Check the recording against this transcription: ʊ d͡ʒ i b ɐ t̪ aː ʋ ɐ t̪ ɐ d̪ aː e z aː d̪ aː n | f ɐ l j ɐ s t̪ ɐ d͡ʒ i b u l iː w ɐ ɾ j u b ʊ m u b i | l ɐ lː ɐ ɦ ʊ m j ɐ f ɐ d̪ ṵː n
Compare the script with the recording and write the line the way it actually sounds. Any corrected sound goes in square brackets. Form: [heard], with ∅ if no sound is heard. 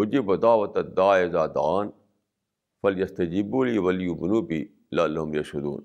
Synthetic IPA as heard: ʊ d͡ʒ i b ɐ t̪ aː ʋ ɐ t̪ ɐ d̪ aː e z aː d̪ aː n | f ɐ l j ɐ s t̪ ɐ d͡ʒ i b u l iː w ɐ [l] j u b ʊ [n] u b i | l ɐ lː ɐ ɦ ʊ m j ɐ [ʃ] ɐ d̪ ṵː n